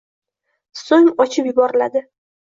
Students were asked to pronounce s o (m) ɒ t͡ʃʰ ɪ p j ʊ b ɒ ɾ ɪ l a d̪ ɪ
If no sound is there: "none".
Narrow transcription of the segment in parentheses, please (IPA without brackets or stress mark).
ŋ